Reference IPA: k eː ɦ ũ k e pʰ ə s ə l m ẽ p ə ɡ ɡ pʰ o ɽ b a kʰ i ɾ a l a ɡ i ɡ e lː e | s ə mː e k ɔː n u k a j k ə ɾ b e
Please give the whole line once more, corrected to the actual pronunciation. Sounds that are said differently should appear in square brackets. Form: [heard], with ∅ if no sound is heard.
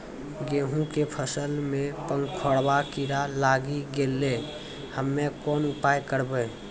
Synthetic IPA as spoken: [ɡ] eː ɦ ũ k e pʰ ə s ə l m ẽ p ə [ŋ] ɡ [kʰ] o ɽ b a [k] i ɾ a l a ɡ i ɡ e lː e | [h] ə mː e k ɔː n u [p] a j k ə ɾ b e